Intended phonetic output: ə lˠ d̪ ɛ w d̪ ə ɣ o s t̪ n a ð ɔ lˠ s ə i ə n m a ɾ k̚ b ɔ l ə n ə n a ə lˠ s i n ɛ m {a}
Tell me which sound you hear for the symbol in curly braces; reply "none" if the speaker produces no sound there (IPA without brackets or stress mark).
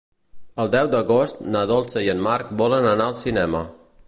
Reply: ə